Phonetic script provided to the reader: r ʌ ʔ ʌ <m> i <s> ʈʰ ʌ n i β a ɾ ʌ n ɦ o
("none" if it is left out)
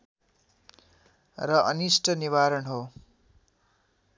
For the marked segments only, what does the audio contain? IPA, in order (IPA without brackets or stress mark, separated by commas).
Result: n, s